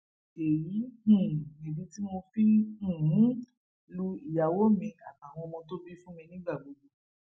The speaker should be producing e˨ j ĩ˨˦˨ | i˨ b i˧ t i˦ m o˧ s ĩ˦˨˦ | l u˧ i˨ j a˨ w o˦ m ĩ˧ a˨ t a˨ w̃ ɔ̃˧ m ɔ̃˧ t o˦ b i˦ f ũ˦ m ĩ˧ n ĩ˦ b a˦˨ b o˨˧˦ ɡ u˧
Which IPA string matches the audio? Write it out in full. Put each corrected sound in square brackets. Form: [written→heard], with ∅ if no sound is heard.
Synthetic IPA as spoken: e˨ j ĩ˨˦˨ | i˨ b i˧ t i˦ m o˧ [s→f] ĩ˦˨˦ | l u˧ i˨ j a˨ w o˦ m ĩ˧ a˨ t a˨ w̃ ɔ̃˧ m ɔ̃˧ t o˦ b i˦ f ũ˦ m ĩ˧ n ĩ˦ [b→ɡ͡b] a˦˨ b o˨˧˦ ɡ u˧